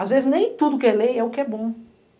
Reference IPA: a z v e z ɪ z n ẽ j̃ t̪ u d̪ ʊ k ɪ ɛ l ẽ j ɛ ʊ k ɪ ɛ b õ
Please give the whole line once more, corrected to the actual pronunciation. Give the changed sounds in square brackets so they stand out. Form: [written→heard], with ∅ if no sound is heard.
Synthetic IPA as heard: a z v e z ɪ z n ẽ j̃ t̪ u d̪ ʊ k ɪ ɛ l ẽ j ɛ ʊ k ɪ ɛ b õ